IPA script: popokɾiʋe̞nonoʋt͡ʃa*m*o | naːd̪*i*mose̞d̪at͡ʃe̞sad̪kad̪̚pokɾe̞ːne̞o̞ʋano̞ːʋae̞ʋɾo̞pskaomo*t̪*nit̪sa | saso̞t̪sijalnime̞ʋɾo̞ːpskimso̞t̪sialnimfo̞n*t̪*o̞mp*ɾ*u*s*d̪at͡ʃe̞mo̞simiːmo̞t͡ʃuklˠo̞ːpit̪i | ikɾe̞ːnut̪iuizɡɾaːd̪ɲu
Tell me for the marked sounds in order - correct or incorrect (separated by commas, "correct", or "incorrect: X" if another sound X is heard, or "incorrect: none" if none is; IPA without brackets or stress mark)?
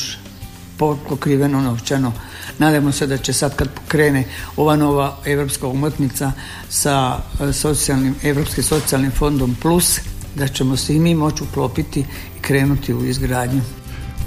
incorrect: n, incorrect: a, correct, incorrect: d̪, incorrect: l, correct